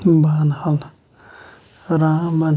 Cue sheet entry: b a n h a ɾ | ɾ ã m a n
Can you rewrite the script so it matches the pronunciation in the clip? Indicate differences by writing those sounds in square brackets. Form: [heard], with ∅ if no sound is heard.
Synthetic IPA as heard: b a n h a [l] | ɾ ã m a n